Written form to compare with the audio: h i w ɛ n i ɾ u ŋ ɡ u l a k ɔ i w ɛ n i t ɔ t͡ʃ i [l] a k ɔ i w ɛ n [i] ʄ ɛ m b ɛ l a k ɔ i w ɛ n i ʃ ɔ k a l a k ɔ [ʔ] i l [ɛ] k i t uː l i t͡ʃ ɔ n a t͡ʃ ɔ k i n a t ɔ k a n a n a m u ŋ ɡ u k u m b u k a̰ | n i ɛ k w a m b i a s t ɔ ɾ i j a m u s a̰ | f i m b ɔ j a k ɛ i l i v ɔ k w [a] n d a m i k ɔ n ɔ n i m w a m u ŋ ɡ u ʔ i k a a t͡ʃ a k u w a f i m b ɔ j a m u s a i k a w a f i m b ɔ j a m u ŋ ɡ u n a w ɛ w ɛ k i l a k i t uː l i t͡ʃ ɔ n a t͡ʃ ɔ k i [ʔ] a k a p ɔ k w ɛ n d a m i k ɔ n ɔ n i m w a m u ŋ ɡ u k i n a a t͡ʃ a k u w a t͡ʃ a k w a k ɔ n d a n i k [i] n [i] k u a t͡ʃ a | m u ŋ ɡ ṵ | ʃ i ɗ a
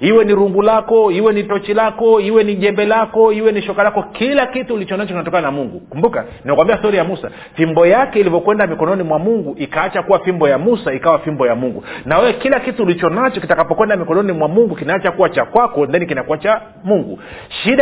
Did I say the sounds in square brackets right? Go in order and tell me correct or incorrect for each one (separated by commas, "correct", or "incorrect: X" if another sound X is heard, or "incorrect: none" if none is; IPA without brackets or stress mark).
correct, correct, incorrect: k, incorrect: a, incorrect: ɛ, incorrect: t, correct, incorrect: a